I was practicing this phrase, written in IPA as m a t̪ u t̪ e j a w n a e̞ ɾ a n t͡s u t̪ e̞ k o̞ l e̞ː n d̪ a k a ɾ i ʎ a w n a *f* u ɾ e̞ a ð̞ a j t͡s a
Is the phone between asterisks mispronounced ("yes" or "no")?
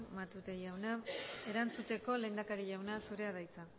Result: yes